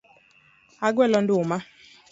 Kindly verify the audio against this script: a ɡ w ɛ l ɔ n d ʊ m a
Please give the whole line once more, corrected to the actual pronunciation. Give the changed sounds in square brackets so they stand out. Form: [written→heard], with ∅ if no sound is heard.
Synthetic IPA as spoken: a ɡ w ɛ l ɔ n d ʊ m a